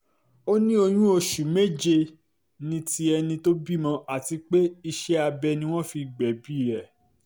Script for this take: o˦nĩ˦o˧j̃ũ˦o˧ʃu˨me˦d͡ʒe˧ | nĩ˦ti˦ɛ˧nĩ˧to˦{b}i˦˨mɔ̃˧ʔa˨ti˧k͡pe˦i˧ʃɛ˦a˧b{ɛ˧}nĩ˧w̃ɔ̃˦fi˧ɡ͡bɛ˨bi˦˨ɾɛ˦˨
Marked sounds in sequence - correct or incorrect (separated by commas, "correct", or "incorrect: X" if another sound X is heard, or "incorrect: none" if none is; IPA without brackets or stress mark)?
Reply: correct, correct